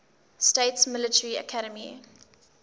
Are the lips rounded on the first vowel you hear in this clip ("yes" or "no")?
no